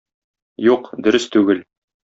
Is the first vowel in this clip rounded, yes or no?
yes